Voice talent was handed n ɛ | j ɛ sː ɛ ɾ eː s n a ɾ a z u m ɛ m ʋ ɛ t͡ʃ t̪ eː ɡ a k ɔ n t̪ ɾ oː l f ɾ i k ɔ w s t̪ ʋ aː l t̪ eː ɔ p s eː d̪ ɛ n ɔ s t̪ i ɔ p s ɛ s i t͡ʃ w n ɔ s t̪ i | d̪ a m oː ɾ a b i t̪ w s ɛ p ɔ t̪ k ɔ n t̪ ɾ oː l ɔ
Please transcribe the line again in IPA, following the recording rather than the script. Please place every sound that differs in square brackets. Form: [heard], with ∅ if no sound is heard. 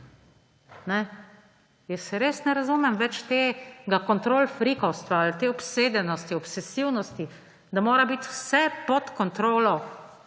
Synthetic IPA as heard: n ɛ | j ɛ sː ɛ ɾ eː s n [ɛ] ɾ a z u m ɛ m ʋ ɛ t͡ʃ t̪ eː ɡ a k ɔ n t̪ ɾ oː l f ɾ i k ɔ w s t̪ ʋ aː l t̪ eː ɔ p s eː d̪ ɛ n ɔ s t̪ i ɔ p s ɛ s i [∅] w n ɔ s t̪ i | d̪ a m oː ɾ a b i t̪ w s ɛ p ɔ t̪ k ɔ n t̪ ɾ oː l ɔ